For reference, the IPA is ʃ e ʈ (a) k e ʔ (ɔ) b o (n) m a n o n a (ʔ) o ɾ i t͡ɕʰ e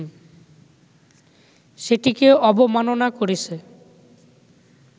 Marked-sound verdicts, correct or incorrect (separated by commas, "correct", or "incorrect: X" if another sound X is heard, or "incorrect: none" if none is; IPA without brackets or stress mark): incorrect: i, correct, incorrect: none, incorrect: k